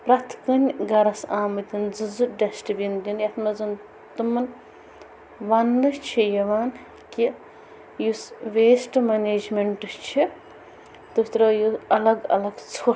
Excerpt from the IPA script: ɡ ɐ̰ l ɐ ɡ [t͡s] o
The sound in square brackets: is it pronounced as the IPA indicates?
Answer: no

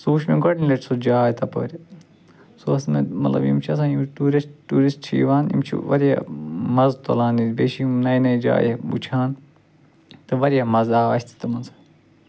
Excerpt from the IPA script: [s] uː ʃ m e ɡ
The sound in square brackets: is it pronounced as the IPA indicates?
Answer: yes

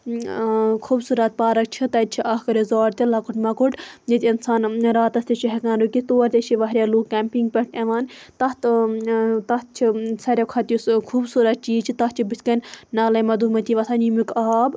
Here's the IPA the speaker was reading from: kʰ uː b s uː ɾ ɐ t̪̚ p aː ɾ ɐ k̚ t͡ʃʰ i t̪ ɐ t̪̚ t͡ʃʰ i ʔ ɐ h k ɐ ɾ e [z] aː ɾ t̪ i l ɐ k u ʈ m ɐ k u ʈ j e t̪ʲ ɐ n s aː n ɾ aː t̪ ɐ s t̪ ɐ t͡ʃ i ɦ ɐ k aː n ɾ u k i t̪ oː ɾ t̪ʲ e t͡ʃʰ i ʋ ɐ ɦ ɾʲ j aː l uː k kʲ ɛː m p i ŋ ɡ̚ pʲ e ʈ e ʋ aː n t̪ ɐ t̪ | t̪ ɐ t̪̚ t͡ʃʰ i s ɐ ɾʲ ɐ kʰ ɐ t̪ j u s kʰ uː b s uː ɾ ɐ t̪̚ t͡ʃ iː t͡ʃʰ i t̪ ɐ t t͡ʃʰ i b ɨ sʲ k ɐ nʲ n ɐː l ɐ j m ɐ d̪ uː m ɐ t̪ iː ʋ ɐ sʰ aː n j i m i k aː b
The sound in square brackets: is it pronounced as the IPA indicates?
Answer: yes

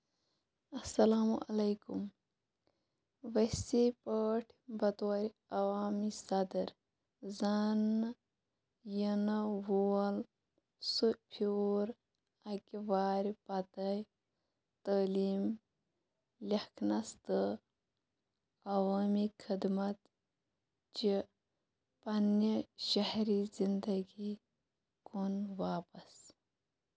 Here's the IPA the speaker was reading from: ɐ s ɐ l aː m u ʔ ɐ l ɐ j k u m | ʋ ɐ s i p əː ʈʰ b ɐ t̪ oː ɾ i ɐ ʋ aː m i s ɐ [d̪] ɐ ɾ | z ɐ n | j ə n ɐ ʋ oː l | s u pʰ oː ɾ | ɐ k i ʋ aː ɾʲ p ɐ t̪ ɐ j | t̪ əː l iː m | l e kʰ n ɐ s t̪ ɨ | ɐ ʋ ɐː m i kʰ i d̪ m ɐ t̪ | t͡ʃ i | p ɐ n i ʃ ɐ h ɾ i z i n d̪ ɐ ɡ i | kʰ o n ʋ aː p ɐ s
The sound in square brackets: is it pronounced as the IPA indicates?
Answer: yes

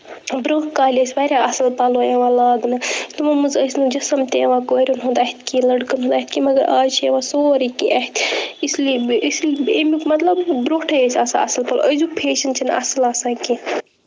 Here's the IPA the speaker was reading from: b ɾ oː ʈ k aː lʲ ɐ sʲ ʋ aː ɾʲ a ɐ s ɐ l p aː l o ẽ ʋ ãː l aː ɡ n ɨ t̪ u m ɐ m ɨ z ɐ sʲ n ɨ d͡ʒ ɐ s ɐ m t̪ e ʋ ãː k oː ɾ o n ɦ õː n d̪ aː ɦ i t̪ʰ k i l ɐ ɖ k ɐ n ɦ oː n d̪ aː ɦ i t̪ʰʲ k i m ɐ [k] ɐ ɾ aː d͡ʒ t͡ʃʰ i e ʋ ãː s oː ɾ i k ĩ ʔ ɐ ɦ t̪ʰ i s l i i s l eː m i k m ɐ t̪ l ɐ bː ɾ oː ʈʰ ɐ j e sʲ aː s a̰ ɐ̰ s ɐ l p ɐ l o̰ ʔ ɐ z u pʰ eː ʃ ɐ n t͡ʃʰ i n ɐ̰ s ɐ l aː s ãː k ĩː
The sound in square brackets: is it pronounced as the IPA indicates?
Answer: no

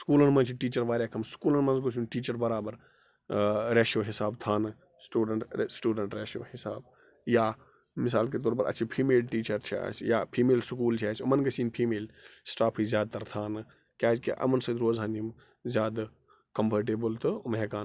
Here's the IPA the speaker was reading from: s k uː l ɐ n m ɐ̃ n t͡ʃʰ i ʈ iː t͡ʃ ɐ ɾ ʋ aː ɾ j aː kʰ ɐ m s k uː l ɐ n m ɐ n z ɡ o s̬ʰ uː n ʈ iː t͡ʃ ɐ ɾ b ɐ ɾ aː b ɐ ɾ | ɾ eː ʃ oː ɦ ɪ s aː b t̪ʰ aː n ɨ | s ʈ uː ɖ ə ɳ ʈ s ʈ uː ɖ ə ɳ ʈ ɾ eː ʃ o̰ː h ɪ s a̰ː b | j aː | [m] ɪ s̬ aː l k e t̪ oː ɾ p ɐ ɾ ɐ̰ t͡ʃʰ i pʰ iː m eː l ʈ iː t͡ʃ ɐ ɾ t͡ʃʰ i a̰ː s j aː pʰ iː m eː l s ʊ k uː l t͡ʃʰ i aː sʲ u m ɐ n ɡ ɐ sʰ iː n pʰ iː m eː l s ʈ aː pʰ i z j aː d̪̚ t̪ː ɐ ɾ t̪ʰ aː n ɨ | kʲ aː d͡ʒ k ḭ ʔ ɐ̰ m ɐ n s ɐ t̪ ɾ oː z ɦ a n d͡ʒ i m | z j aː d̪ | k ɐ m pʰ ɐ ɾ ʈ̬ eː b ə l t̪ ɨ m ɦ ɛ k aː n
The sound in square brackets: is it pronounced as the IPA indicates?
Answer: yes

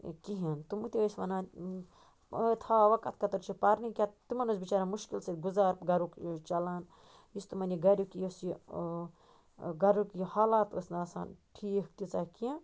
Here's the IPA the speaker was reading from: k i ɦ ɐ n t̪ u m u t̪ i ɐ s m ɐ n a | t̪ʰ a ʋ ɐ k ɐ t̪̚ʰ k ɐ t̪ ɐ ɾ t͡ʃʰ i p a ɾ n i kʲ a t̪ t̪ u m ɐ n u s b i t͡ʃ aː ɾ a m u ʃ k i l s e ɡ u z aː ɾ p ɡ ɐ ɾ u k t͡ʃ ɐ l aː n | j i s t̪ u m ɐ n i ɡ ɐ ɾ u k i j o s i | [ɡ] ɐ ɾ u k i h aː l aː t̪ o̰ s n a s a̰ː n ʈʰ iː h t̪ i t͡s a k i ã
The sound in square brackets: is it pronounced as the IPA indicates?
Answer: yes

